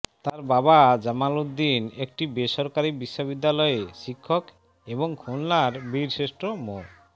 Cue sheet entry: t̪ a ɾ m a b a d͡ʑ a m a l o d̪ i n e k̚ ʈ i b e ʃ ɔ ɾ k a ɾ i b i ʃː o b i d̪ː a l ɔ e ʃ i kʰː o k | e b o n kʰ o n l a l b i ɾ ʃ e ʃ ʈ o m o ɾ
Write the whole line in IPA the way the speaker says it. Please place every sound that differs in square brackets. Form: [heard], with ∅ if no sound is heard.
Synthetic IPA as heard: t̪ a ɾ [b] a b a d͡ʑ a m a l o d̪ i n e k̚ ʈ i b e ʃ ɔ ɾ k a ɾ i b i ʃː o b i d̪ː a l ɔ e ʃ i kʰː o k | e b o [ŋ] kʰ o n l a [ɾ] b i ɾ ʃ e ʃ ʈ o m o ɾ